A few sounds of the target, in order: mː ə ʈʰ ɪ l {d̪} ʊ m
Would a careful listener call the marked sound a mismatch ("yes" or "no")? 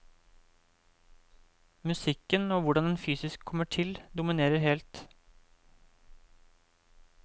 no